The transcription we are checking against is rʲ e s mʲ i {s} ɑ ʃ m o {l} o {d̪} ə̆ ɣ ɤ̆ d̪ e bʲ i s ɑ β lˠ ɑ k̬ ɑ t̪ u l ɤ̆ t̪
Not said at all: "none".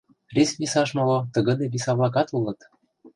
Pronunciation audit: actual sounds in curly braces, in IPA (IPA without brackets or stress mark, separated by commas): s, l, t̪